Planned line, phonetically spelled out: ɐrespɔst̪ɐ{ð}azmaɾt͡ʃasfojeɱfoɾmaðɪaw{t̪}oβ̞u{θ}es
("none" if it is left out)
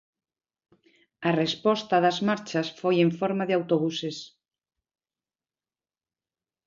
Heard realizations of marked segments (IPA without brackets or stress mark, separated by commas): ð, t̪, s